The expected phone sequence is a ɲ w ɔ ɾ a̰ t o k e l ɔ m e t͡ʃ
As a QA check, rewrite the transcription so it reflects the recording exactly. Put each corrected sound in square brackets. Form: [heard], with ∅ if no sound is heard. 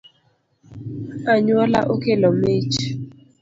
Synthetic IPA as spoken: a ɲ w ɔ [l] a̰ [ʔ] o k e l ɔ m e t͡ʃ

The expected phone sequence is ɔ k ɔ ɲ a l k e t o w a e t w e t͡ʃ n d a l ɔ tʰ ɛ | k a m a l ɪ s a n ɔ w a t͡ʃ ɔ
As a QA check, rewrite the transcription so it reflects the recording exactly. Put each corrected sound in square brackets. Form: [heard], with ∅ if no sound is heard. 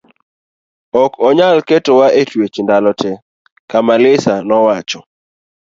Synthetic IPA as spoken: ɔ k ɔ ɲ a l k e t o w a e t w e t͡ʃ n d a l ɔ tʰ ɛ | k a m a l ɪ s a n ɔ w a t͡ʃ ɔ

